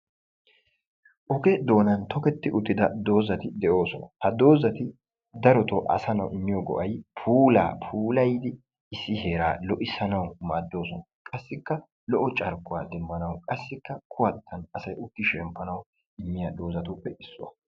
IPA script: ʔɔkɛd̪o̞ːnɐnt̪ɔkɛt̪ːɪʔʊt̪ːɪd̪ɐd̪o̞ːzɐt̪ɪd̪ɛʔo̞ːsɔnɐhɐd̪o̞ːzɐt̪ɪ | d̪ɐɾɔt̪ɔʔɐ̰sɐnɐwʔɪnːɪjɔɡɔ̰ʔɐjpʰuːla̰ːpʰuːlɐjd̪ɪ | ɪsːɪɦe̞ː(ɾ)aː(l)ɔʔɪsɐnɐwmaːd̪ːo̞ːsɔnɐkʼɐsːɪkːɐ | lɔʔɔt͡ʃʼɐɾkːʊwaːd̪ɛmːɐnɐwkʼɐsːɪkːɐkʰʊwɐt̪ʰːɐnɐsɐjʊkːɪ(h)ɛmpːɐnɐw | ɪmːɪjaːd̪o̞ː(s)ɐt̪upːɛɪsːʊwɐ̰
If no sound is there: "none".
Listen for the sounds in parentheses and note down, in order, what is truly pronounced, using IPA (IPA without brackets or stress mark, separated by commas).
ɾ, l, ʃ, z